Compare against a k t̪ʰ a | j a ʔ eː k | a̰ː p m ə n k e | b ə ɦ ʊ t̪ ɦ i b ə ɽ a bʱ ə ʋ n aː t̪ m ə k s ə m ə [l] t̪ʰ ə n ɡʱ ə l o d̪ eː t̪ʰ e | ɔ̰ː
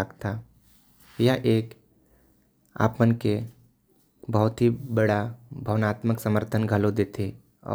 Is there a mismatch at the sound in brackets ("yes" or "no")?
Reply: yes